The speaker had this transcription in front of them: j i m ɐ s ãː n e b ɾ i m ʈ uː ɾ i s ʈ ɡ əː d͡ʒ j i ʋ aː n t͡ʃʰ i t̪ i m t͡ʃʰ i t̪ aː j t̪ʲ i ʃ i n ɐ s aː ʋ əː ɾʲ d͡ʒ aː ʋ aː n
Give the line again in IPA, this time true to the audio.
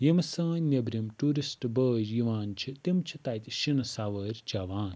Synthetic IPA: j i m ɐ s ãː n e b ɾ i m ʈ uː ɾ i s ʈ b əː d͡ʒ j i ʋ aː n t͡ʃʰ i t̪ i m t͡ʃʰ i t̪ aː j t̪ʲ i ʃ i n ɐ s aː ʋ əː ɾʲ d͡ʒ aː ʋ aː n